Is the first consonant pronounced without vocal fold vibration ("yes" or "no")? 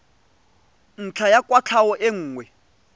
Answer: no